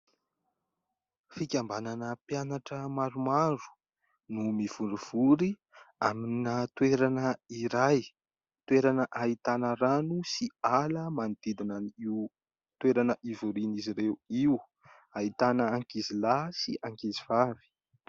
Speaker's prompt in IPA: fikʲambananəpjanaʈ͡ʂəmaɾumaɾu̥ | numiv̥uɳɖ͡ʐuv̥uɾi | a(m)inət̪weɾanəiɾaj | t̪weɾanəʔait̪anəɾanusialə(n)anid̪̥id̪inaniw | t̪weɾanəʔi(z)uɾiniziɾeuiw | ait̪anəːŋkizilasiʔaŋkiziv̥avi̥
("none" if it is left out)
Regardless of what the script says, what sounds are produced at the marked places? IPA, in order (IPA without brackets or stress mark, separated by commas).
m, m, v